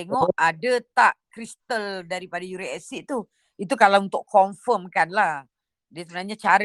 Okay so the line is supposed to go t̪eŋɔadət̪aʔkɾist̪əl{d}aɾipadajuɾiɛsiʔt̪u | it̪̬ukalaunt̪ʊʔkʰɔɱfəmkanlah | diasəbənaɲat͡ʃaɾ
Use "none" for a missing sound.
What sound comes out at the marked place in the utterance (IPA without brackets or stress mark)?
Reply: d